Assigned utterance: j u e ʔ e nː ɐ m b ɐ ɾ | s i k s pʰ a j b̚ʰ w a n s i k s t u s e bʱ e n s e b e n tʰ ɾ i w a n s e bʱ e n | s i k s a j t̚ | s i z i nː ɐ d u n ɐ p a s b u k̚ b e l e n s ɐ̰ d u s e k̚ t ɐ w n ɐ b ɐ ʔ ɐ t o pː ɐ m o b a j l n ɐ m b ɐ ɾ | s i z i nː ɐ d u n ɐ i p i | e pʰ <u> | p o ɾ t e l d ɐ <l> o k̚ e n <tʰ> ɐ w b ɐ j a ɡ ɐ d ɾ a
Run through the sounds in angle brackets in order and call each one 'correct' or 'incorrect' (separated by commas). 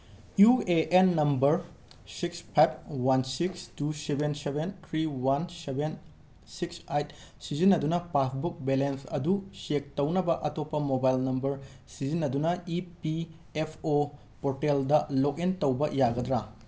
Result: incorrect, correct, incorrect